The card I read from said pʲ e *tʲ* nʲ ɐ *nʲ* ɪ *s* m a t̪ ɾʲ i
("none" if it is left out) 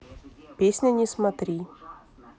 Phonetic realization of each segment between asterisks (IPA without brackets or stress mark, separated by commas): sʲ, nʲ, s